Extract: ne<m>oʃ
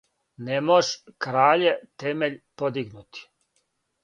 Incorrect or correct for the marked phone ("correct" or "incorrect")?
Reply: correct